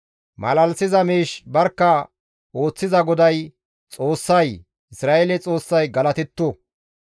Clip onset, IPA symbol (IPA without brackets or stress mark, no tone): m